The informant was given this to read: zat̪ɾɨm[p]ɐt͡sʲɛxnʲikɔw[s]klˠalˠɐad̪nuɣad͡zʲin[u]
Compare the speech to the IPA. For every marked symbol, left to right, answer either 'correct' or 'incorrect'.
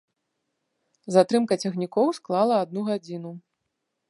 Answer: incorrect: k, correct, correct

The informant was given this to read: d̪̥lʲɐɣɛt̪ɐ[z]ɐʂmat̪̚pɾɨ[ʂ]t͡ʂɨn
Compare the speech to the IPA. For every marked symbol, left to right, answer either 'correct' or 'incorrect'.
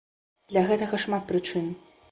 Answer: incorrect: ɣ, incorrect: none

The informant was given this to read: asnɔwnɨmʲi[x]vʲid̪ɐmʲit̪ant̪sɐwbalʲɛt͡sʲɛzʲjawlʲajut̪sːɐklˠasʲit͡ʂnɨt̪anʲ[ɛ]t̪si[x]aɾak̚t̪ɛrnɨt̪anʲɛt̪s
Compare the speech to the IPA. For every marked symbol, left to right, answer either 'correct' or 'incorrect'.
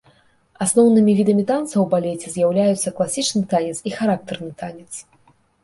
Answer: incorrect: none, correct, correct

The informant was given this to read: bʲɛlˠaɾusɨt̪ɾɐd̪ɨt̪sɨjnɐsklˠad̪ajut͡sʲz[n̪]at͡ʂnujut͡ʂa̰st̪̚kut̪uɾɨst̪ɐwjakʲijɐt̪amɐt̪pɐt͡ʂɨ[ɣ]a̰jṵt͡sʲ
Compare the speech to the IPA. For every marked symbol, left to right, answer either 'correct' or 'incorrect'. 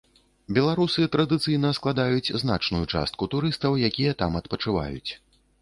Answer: correct, incorrect: v

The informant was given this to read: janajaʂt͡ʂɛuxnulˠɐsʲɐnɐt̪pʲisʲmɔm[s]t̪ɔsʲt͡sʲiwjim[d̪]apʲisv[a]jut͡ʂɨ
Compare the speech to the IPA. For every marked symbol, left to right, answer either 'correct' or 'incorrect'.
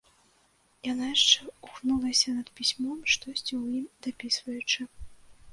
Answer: incorrect: ʂ, correct, incorrect: ɐ

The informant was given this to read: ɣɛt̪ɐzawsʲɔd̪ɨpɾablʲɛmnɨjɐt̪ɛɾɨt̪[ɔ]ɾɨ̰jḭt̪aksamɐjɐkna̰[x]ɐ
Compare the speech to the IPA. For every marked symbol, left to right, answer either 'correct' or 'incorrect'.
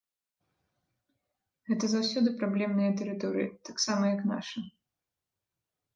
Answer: correct, incorrect: ʂ

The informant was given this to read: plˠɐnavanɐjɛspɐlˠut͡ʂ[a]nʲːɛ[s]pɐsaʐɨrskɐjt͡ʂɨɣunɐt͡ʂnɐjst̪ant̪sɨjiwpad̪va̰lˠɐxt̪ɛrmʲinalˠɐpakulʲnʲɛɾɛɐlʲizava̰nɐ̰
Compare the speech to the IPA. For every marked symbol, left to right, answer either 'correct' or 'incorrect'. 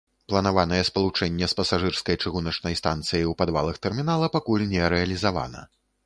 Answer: incorrect: ɛ, correct

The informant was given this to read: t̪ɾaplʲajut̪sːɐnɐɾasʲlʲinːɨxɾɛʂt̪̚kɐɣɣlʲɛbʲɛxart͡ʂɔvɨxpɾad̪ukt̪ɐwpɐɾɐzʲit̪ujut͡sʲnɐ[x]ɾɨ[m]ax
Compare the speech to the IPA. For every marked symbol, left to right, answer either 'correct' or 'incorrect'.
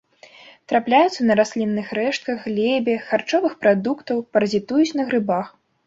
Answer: incorrect: ɣ, incorrect: b

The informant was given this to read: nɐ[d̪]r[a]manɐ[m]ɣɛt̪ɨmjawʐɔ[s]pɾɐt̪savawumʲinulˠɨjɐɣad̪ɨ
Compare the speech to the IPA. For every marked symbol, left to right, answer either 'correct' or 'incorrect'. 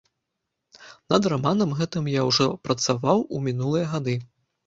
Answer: correct, correct, correct, incorrect: none

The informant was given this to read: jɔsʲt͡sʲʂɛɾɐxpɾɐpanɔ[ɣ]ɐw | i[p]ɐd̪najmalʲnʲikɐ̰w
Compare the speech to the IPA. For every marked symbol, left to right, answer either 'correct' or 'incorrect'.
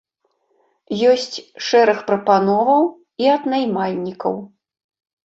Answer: incorrect: v, incorrect: none

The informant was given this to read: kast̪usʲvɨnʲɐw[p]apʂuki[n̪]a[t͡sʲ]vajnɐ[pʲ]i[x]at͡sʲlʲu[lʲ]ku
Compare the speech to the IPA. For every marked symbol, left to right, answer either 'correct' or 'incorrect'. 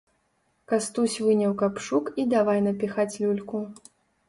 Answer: incorrect: k, incorrect: d̪, incorrect: none, correct, correct, correct

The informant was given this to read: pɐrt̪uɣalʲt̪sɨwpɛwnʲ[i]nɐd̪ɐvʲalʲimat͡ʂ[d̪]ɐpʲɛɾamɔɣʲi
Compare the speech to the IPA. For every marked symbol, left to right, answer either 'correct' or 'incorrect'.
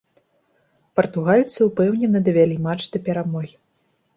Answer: incorrect: ɛ, correct

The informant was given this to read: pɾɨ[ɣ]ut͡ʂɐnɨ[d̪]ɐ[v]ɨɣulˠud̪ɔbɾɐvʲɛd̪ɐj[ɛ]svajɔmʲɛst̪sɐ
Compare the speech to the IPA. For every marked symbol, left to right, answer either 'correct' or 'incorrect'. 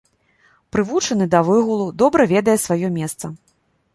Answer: incorrect: v, correct, correct, correct

